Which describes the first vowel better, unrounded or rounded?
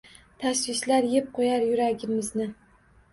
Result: unrounded